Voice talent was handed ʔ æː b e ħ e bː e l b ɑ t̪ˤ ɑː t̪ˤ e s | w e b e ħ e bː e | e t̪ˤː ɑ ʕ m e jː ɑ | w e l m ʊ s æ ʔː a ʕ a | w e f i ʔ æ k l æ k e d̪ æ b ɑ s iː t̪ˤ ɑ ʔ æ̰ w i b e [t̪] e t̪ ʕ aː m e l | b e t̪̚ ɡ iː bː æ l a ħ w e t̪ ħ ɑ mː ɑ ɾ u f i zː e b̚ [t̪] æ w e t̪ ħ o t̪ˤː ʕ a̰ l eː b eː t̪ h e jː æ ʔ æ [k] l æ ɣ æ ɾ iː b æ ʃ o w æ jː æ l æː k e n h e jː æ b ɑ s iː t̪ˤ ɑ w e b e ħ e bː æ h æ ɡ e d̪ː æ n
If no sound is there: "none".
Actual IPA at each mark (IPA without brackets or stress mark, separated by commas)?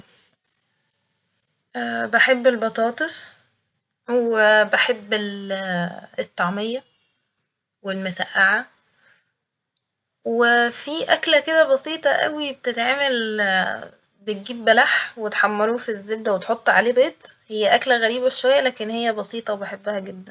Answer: t̪, d̪, k